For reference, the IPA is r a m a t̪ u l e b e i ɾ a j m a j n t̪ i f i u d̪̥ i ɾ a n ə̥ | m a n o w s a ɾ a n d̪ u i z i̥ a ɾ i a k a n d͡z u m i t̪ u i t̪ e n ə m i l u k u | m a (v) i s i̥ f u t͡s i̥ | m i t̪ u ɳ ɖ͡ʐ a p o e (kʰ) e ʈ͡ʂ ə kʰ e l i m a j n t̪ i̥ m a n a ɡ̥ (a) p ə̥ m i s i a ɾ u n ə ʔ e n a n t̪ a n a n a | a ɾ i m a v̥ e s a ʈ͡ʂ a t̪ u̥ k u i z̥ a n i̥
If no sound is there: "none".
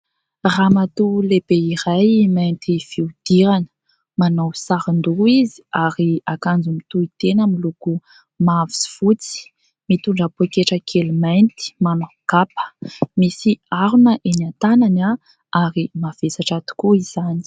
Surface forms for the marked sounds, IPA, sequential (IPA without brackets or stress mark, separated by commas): v, k, a